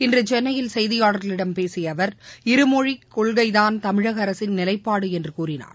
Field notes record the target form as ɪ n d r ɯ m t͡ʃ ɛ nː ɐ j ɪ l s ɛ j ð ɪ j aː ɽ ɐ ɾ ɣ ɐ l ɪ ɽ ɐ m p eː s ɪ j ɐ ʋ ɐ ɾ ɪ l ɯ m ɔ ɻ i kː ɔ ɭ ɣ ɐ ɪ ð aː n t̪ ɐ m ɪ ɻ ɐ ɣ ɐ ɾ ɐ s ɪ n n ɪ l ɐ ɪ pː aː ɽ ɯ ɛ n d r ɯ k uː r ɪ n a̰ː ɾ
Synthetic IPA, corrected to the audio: ɪ n d r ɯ t͡ʃ ɛ nː ɐ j ɪ l s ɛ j ð ɪ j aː ɽ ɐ ɾ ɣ ɐ l ɪ ɽ ɐ m p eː s ɪ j ɐ ʋ ɐ ɾ ɪ ɾ ɯ m ɔ ɻ i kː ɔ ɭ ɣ ɐ ɪ ð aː n t̪ ɐ m ɪ ɻ ɐ ɣ ɐ ɾ ɐ s ɪ n n ɪ l ɐ ɪ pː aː ɽ ɯ ɛ n d r ɯ k uː r ɪ n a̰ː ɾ